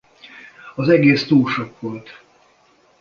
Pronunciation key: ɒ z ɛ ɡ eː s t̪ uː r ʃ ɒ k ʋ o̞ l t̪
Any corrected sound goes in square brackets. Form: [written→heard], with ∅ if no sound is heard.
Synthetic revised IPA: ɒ z ɛ ɡ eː s t̪ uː [r→l] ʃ [ɒ→o] k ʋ o̞ l t̪